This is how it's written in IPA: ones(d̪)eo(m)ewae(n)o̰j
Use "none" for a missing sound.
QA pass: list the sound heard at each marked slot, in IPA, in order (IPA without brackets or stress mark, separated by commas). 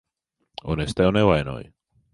t̪, n, n